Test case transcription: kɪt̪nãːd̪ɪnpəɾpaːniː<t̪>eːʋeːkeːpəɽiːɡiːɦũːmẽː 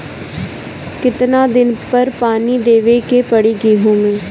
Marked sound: incorrect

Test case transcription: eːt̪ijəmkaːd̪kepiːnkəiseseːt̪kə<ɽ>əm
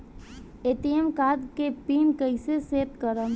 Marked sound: incorrect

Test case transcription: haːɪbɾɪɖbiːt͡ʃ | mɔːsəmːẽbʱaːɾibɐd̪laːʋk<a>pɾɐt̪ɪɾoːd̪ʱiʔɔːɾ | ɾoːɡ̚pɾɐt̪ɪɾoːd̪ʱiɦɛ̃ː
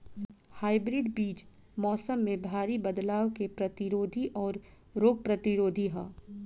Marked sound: incorrect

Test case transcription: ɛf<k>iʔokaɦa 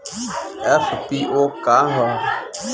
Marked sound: incorrect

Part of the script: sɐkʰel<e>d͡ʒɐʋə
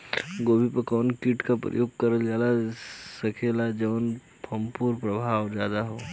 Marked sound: incorrect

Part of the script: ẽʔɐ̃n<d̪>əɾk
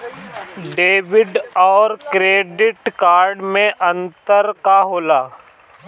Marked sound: incorrect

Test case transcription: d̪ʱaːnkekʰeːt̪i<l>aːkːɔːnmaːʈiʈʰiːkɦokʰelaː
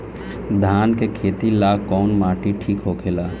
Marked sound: correct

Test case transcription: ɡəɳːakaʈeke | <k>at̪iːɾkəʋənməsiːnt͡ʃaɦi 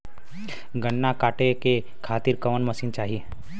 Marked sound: incorrect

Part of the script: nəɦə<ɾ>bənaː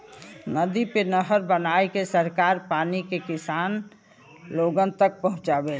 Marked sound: correct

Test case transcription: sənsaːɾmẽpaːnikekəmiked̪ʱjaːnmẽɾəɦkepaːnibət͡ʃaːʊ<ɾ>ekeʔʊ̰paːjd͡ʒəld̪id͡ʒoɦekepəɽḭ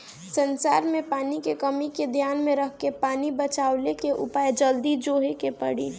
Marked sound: incorrect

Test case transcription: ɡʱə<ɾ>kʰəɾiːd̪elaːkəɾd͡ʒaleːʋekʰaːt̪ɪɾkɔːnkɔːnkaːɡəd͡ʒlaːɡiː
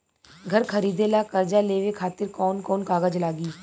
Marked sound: correct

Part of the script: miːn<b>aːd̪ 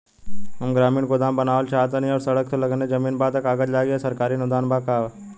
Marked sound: correct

